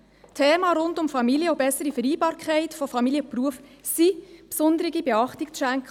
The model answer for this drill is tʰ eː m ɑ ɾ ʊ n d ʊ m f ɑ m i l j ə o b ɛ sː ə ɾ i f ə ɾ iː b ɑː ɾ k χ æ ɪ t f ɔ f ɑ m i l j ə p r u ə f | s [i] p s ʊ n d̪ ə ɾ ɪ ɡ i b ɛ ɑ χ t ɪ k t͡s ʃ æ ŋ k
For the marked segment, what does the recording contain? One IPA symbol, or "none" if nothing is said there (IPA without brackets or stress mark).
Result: i